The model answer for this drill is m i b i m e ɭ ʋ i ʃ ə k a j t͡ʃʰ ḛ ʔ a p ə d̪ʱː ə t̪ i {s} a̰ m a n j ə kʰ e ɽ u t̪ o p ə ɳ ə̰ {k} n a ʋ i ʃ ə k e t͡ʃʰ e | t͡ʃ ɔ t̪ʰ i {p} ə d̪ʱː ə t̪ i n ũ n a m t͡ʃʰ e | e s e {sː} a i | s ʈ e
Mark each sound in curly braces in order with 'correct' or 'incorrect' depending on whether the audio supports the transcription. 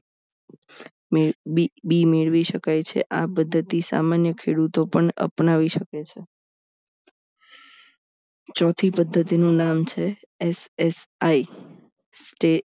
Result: correct, incorrect, correct, incorrect

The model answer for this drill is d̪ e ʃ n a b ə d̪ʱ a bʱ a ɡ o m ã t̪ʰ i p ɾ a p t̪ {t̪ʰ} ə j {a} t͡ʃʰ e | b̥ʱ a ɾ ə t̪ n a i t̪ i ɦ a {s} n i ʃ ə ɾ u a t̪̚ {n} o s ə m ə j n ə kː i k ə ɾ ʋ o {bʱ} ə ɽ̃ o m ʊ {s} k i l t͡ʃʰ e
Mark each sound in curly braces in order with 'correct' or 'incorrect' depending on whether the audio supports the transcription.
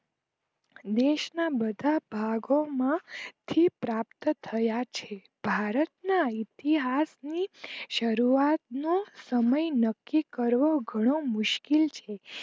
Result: correct, correct, correct, correct, incorrect, incorrect

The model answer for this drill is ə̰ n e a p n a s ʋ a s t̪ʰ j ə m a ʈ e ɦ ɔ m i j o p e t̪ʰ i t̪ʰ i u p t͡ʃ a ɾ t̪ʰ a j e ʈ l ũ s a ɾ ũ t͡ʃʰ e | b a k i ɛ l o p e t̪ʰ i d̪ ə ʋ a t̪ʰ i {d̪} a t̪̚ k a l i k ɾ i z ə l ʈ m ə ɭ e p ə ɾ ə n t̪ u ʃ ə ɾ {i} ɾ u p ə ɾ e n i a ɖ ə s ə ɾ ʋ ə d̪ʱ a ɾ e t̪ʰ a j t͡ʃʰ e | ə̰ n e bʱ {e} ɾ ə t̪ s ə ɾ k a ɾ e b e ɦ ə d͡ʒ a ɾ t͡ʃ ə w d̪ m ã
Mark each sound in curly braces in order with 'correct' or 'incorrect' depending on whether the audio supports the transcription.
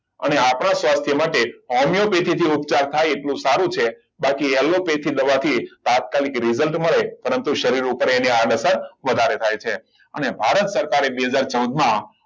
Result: incorrect, correct, incorrect

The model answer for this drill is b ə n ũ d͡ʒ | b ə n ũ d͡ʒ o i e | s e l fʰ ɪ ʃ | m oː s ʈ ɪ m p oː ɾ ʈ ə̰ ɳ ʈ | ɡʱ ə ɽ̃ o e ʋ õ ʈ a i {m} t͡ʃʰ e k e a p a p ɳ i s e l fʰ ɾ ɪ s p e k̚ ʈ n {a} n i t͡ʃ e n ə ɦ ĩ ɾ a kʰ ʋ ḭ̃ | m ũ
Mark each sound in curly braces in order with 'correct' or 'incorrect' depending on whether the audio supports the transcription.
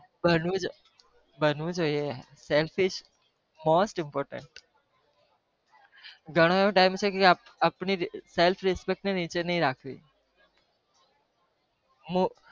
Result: correct, incorrect

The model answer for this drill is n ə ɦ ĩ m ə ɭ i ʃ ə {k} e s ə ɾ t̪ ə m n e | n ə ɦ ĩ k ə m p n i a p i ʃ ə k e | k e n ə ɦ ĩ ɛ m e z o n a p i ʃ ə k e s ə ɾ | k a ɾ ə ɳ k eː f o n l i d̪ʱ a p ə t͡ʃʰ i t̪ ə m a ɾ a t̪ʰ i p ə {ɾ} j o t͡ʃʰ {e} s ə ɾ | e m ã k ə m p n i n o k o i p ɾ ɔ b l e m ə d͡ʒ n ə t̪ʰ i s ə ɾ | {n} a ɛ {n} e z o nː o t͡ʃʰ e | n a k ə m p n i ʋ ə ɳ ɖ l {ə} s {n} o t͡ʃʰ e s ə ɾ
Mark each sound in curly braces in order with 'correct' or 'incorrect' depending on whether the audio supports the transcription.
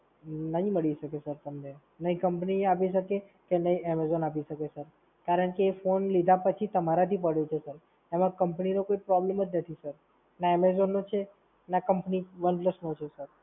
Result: correct, incorrect, correct, correct, incorrect, correct, correct

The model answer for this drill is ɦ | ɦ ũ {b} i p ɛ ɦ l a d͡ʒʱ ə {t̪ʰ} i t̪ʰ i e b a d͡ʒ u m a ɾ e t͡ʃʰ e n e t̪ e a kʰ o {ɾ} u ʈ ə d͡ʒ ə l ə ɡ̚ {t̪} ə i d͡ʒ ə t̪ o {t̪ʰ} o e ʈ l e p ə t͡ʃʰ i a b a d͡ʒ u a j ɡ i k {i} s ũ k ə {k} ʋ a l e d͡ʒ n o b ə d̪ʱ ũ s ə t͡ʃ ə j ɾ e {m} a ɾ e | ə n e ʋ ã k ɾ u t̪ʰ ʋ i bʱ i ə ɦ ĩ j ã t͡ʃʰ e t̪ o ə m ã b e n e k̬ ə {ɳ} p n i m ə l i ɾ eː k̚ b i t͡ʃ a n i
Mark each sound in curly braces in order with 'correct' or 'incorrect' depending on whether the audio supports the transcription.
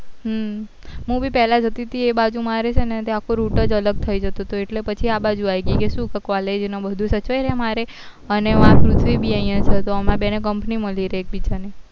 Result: correct, incorrect, correct, incorrect, incorrect, incorrect, correct, correct, incorrect

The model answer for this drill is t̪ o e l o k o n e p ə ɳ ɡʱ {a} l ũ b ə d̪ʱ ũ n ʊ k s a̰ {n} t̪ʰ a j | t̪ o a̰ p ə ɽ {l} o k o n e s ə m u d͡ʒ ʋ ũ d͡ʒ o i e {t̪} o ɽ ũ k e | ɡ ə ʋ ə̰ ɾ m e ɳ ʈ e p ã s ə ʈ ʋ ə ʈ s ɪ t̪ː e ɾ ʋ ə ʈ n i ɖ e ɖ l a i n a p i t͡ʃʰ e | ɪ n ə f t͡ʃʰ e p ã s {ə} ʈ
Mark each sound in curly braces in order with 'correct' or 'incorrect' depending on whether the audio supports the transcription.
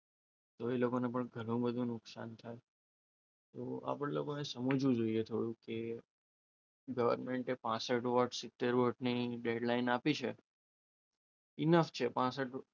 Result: incorrect, correct, correct, incorrect, correct

